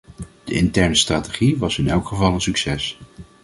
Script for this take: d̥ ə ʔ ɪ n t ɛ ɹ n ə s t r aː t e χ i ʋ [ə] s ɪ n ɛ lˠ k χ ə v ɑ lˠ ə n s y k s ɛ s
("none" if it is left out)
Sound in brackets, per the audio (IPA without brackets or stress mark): ɑ